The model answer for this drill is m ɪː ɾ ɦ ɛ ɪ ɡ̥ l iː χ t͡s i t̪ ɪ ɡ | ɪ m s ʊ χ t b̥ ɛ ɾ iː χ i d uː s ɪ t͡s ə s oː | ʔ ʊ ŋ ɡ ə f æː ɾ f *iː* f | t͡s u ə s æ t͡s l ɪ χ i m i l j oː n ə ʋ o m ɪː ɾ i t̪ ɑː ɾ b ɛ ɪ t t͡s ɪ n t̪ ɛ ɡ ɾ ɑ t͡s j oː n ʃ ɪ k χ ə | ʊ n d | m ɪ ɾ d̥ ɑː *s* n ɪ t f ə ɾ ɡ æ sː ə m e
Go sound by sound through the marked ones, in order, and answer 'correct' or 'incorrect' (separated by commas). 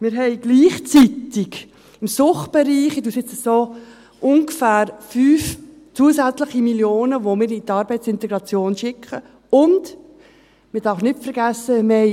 incorrect, incorrect